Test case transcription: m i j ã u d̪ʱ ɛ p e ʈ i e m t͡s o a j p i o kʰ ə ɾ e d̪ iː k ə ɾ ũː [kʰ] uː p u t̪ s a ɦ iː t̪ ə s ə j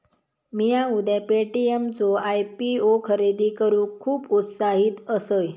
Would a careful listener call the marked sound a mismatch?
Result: no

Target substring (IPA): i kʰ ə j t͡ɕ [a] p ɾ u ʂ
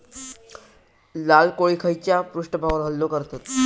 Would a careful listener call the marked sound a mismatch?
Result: no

